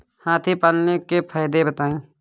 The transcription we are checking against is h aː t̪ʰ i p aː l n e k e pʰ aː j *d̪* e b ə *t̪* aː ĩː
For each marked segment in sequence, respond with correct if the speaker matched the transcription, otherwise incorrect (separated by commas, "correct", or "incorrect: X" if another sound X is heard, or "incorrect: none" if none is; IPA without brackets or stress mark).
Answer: correct, correct